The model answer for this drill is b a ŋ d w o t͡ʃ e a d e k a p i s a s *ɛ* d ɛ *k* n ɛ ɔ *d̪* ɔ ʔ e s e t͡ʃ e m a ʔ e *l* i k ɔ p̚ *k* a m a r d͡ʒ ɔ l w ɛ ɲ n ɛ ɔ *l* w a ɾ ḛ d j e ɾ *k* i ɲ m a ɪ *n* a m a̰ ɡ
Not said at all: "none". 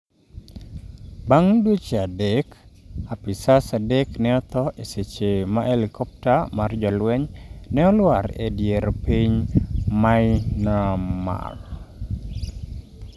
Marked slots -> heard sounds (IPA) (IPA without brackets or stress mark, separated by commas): a, k, t̪, l, t, l, p, n